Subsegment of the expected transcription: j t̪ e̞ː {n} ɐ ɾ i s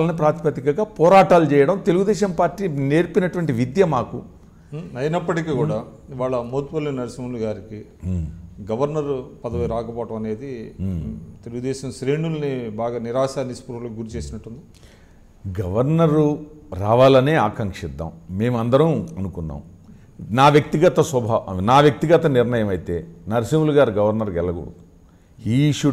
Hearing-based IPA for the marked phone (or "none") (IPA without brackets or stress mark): n